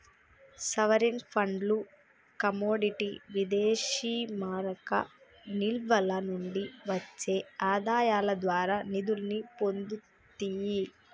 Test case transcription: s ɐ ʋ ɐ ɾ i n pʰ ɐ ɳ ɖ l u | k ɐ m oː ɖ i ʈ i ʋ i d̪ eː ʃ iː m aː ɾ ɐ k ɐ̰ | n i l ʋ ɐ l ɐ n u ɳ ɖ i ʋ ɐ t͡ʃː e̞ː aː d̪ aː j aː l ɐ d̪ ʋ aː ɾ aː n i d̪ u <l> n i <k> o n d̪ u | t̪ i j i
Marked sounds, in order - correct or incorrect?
correct, incorrect

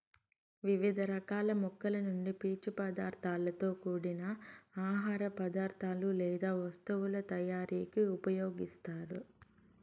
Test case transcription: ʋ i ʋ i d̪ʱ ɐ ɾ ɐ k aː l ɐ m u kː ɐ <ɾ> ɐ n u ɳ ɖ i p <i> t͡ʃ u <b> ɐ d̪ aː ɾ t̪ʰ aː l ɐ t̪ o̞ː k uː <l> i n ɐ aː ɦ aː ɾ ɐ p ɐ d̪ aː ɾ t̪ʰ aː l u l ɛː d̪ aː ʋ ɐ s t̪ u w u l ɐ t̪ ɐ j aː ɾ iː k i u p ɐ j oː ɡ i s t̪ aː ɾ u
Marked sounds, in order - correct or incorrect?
incorrect, incorrect, incorrect, incorrect

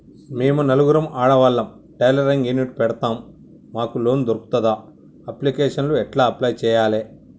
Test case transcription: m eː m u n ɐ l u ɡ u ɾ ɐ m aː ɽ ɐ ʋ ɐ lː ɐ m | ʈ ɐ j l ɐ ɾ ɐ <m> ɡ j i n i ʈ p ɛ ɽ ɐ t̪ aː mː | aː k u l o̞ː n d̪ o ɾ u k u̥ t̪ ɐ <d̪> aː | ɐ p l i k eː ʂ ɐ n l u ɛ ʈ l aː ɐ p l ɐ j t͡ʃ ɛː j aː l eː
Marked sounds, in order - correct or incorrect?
incorrect, correct

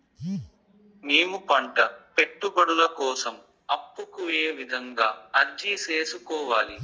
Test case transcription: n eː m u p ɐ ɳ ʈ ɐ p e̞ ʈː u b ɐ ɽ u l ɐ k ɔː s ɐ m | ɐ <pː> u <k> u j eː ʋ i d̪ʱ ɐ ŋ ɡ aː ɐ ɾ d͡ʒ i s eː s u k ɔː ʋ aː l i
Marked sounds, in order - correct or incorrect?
correct, correct

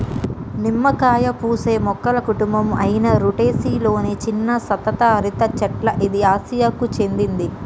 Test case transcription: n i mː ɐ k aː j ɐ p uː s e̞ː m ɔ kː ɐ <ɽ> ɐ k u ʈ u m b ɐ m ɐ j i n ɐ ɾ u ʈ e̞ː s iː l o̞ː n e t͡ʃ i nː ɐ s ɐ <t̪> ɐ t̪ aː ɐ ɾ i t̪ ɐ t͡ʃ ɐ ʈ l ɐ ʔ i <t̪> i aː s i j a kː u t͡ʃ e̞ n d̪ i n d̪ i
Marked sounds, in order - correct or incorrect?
incorrect, correct, incorrect

